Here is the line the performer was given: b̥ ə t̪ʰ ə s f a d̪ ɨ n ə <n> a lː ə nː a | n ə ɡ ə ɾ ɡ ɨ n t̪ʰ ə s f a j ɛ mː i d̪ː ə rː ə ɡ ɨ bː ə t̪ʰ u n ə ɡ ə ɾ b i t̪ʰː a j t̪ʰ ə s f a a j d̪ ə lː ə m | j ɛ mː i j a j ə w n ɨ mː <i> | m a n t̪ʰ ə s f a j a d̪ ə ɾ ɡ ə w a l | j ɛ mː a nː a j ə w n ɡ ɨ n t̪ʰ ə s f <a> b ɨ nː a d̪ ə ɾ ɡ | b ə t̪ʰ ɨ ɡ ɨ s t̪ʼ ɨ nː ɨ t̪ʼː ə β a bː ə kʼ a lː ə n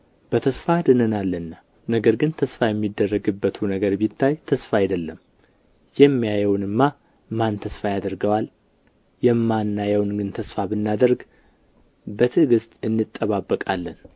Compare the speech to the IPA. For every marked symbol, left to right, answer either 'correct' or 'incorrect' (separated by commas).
correct, incorrect, correct